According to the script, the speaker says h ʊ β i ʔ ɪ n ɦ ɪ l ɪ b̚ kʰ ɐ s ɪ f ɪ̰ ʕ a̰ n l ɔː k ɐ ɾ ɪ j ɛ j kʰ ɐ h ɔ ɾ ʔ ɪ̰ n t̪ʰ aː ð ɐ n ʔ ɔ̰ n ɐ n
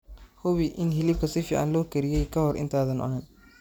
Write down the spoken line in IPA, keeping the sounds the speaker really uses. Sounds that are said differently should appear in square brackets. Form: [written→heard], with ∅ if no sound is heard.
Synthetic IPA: h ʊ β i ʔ ɪ n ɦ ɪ l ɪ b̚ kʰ ɐ s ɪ f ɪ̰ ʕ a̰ n l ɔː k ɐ ɾ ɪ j ɛ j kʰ ɐ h ɔ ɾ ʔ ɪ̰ n t̪ʰ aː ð ɐ n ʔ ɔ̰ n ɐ n